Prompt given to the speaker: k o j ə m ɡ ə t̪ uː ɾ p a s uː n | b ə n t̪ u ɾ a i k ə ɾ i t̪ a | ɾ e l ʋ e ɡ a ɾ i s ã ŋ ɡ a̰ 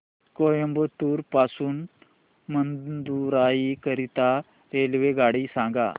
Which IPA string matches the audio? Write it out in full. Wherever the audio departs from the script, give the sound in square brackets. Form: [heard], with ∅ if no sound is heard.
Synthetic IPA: k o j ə m [b] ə t̪ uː ɾ p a s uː n | [m] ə n [d̪] u ɾ a i k ə ɾ i t̪ a | ɾ e l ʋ e ɡ a [ɽ] i s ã ŋ ɡ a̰